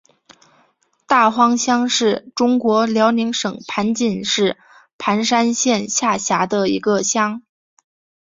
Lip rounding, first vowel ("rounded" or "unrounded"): unrounded